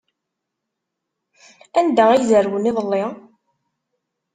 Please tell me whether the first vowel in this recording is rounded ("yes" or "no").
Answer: no